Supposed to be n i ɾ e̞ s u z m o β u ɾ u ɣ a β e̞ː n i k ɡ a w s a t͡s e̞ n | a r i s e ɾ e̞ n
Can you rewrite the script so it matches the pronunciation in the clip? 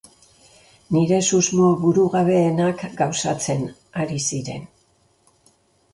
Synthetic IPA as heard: n i ɾ e̞ s u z m o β u ɾ u ɣ a β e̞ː n a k ɡ a w s a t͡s e̞ n | a ɾ i s i ɾ e̞ n